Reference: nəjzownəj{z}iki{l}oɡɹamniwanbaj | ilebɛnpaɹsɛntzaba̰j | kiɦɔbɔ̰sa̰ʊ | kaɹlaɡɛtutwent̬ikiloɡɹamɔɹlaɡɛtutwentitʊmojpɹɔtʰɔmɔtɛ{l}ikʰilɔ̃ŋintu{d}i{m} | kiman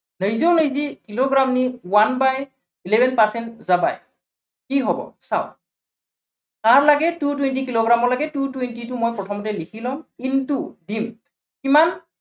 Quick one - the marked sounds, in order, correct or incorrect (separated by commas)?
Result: correct, correct, correct, correct, correct